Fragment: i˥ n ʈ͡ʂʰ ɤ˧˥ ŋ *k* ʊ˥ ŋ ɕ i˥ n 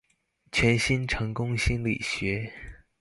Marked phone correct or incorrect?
correct